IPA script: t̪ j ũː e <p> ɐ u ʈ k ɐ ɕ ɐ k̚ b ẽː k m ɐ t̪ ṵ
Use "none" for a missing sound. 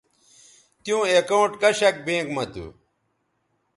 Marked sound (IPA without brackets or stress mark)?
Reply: k